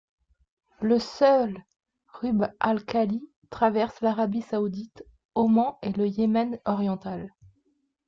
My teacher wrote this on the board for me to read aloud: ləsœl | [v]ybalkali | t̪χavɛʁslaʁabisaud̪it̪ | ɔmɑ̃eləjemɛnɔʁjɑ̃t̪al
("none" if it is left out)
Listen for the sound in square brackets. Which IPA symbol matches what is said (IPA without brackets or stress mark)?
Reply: ʁ